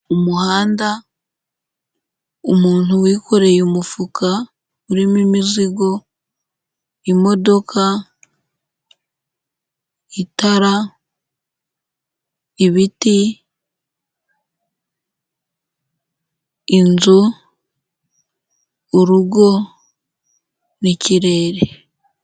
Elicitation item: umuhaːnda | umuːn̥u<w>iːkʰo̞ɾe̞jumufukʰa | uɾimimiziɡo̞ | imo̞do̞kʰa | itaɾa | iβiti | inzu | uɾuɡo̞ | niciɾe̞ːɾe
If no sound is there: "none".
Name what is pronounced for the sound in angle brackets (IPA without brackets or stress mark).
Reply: w